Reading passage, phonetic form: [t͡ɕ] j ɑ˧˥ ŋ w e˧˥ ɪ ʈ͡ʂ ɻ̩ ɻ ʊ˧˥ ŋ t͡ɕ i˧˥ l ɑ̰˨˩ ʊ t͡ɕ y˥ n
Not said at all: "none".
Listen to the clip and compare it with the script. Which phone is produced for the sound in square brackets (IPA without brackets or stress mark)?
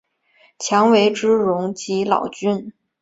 t͡ɕʰ